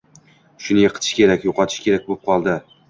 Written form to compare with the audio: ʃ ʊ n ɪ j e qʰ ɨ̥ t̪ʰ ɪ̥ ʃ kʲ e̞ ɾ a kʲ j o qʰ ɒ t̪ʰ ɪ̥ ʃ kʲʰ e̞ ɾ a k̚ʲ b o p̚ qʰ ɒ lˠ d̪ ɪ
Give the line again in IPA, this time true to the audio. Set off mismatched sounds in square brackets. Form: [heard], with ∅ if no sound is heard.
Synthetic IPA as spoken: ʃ ʊ n ɪ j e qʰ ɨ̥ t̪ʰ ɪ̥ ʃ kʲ e̞ ɾ a kʲ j o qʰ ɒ t̪ʰ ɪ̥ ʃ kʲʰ e̞ ɾ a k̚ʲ b o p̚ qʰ ɒ lˠ d̪ ɪ